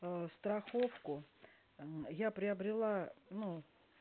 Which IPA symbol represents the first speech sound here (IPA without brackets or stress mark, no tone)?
s